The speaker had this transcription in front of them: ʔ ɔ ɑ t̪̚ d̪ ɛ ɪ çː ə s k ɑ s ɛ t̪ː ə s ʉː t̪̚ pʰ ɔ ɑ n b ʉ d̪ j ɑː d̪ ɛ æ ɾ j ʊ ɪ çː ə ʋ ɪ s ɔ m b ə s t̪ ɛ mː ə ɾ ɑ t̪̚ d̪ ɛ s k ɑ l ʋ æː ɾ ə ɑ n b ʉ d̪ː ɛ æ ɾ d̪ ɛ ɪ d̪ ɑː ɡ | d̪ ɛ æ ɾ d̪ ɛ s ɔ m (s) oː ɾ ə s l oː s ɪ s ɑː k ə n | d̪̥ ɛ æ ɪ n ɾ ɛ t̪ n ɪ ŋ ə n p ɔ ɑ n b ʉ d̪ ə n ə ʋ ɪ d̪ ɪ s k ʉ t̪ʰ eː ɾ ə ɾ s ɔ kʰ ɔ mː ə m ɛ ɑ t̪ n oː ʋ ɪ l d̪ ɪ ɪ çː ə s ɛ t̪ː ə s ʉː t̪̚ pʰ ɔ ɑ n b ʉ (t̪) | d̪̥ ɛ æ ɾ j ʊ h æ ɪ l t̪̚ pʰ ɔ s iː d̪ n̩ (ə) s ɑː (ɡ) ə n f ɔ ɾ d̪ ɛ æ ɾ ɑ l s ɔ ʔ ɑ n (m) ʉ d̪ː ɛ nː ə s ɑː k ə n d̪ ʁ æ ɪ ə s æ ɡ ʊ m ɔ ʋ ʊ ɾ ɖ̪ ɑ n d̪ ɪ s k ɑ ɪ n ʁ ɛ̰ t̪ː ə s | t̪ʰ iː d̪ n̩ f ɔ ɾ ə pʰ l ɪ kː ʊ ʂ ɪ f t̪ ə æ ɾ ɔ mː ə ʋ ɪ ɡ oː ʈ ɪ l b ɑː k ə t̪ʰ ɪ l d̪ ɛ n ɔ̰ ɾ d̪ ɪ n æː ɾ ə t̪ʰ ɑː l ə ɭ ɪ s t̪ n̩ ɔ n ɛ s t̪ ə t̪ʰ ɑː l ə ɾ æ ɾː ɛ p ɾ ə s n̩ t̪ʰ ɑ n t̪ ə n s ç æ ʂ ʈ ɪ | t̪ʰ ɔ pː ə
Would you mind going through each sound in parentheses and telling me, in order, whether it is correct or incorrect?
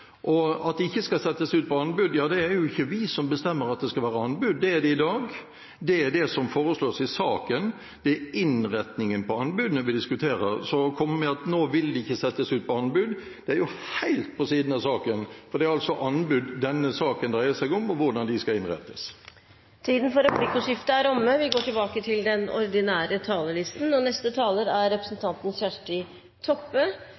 incorrect: f, incorrect: d̪, incorrect: ɑ, incorrect: k, incorrect: b

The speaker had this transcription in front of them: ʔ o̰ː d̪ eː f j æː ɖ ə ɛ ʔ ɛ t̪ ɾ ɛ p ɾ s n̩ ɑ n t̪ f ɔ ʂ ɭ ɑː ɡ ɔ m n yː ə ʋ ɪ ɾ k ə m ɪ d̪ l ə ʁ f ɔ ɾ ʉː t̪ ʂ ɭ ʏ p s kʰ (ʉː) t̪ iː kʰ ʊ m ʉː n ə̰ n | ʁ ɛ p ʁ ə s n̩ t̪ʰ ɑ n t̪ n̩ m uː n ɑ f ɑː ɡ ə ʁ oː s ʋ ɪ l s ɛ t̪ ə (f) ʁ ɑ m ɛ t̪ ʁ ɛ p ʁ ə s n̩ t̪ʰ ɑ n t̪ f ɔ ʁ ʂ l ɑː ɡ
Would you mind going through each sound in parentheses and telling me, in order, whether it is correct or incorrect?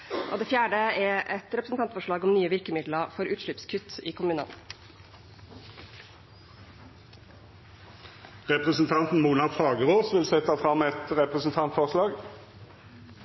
incorrect: ʉ, correct

